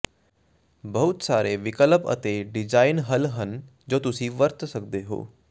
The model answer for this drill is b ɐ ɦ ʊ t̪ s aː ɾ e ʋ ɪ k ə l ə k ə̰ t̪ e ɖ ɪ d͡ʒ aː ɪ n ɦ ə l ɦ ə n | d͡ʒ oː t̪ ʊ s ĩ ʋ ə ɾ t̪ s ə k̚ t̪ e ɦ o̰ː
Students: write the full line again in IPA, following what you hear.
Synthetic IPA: b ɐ ɦ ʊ t̪ s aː ɾ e ʋ ɪ k ə l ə p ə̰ t̪ e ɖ ɪ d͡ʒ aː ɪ n ɦ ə l ɦ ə n | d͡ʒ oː t̪ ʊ s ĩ ʋ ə ɾ t̪ s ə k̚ d̪ e ɦ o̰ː